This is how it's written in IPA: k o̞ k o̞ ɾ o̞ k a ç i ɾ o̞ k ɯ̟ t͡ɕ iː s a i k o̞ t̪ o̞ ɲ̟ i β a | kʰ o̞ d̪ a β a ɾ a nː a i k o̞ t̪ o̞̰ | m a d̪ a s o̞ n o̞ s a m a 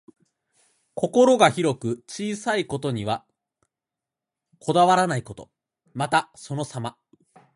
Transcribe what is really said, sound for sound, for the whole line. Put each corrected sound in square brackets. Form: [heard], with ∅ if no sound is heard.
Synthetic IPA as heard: k o̞ k o̞ ɾ o̞ [ɡ] a ç i ɾ o̞ k ɯ̟ t͡ɕ iː s a i k o̞ t̪ o̞ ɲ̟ i β a | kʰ o̞ d̪ a β a ɾ a [n] a i k o̞ t̪ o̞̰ | m a [t̪] a s o̞ n o̞ s a m a

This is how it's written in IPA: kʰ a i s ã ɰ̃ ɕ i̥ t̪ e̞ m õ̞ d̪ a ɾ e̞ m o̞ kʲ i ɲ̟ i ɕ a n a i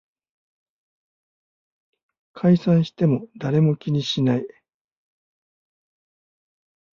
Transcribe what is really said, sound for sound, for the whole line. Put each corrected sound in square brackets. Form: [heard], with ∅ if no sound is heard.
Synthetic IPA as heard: kʰ a i s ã ɰ̃ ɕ i̥ t̪ e̞ m [o̞] d̪ a ɾ e̞ m o̞ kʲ i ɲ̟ i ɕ [i] n a i

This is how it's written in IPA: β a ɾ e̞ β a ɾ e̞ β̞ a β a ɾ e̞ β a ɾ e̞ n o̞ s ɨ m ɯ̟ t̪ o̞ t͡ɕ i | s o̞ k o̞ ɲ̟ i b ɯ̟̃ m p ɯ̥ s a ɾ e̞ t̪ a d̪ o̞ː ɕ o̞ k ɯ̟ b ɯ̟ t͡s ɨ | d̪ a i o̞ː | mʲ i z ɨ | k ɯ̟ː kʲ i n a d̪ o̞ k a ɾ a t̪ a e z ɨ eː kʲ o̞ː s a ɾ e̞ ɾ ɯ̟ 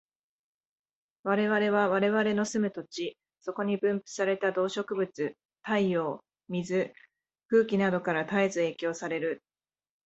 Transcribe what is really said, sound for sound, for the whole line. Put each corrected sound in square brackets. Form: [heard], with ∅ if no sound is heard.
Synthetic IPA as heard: β a ɾ e̞ β a ɾ e̞ β̞ a β a ɾ e̞ β a ɾ e̞ n o̞ s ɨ m ɯ̟ t̪ o̞ t͡ɕ i | s o̞ k o̞ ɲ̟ i b ɯ̟̃ m p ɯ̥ s a ɾ e̞ t̪ a d̪ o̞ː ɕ o̞ k ɯ̟ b ɯ̟ t͡s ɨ | [t̪] a i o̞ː | mʲ i z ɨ | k ɯ̟ː kʲ i n a d̪ o̞ k a ɾ a t̪ a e z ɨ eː kʲ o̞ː s a ɾ e̞ ɾ ɯ̟

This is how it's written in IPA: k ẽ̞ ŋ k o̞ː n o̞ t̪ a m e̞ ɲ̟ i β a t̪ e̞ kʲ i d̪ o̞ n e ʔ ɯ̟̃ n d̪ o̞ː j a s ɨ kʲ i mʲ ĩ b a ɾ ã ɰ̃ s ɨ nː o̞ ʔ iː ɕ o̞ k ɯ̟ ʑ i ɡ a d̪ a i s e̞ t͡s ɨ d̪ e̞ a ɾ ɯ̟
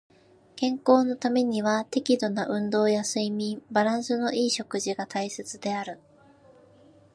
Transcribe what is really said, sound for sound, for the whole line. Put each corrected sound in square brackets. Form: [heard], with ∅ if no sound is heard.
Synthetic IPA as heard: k ẽ̞ ŋ k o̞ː n o̞ t̪ a m e̞ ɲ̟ i β a t̪ e̞ kʲ i d̪ o̞ n [a] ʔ ɯ̟̃ n d̪ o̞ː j a s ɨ [∅] i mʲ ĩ b a ɾ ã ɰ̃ s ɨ [n] o̞ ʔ iː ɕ o̞ k ɯ̟ ʑ i ɡ a [t̪] a i s e̞ t͡s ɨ d̪ e̞ a ɾ ɯ̟

